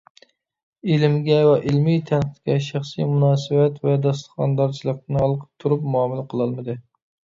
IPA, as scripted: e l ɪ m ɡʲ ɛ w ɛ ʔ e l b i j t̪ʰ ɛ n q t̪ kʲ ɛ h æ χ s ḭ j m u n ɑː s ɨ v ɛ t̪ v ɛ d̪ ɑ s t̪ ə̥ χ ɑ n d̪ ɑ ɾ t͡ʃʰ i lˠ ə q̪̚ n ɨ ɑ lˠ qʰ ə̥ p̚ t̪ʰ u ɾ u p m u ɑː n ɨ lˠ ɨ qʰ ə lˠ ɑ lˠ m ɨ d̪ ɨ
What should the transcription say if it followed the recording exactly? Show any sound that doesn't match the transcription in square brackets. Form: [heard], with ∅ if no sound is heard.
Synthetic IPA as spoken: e l ɪ m ɡʲ ɛ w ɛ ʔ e l [m] i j t̪ʰ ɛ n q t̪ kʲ ɛ [ʃ] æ χ s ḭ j m u n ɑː s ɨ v ɛ t̪ v ɛ d̪ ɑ s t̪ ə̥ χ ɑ n d̪ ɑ ɾ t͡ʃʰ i lˠ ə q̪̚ n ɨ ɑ lˠ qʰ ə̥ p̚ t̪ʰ u ɾ u p m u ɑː [m] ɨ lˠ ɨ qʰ ə lˠ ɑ lˠ m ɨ d̪ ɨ